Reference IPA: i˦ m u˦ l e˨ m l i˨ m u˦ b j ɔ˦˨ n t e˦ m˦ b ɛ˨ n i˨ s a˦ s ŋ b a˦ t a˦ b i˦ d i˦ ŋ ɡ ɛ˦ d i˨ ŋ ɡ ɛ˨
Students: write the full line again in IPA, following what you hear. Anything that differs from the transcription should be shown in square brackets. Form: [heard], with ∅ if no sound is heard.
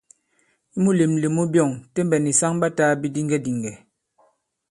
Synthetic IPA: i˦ m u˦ l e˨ m l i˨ m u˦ b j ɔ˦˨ [ŋ] t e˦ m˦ b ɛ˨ n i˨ s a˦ [∅] ŋ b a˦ t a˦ b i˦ d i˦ ŋ ɡ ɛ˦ d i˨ ŋ ɡ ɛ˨